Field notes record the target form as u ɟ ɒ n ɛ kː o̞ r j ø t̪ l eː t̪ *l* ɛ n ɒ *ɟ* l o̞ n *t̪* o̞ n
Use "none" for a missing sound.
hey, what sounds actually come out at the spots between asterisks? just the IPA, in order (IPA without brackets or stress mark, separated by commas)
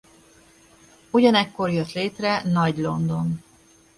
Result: r, ɟ, d̪